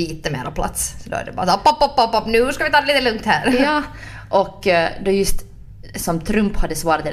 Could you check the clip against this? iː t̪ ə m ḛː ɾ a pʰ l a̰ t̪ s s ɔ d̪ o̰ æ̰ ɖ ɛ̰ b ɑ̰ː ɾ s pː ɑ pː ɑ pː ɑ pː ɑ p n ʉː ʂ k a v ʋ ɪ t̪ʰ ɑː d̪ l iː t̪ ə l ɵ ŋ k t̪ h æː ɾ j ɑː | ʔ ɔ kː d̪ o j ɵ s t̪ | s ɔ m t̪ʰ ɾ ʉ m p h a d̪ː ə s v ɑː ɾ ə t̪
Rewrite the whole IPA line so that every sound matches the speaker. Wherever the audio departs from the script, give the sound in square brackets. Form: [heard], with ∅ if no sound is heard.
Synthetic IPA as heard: iː t̪ ə m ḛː ɾ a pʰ l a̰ t̪ s s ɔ d̪ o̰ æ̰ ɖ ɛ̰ b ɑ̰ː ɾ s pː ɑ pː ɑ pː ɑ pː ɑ p n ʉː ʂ k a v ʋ ɪ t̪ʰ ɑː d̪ l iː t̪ ə l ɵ ŋ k t̪ h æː ɾ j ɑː | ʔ ɔ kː d̪ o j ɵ s t̪ | s ɔ m t̪ʰ ɾ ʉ m p h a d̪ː ə s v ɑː ɾ [a] t̪